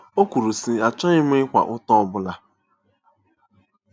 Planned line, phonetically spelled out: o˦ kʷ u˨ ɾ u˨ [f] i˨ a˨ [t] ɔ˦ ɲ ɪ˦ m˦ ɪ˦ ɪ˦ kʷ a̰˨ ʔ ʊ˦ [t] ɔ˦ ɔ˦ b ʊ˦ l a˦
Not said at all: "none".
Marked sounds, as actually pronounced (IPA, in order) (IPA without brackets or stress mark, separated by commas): s, t͡ʃ, t